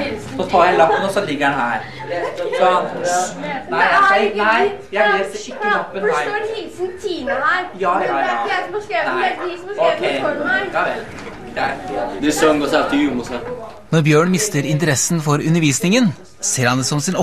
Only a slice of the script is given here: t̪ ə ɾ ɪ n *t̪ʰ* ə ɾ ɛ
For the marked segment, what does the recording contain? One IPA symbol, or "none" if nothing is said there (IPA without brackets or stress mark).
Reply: t̪